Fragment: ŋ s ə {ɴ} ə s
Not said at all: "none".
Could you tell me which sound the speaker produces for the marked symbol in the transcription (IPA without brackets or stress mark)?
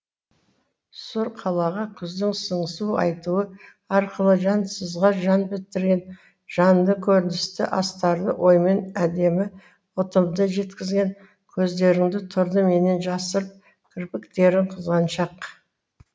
ɴ